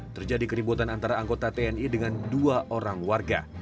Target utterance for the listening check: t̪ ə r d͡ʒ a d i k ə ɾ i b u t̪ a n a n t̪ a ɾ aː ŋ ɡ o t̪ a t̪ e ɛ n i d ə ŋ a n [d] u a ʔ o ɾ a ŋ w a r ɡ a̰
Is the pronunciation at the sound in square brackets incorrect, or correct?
correct